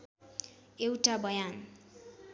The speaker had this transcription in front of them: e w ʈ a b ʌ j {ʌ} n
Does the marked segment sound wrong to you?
yes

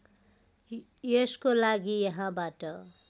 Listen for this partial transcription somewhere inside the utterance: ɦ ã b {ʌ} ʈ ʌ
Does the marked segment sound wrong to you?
yes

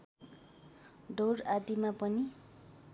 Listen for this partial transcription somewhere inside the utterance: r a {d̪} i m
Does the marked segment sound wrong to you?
no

